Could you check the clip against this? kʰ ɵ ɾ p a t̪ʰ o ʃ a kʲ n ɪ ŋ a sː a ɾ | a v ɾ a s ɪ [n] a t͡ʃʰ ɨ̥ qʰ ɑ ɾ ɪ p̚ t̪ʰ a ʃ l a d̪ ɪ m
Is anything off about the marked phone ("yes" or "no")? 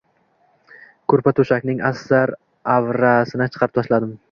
no